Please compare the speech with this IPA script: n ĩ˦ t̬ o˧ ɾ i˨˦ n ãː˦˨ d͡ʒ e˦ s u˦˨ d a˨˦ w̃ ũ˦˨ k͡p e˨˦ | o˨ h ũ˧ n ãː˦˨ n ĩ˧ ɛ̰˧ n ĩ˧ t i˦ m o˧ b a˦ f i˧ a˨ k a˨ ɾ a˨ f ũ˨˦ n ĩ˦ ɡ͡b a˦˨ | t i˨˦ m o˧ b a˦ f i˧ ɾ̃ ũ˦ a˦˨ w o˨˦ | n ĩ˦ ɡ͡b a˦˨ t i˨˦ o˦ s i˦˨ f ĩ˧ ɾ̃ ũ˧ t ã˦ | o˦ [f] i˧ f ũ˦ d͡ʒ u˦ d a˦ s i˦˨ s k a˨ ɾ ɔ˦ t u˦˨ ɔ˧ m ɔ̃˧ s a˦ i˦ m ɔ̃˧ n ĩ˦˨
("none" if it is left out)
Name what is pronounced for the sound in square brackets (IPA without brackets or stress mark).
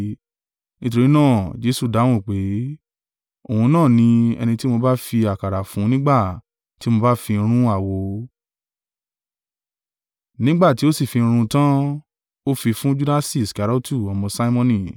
f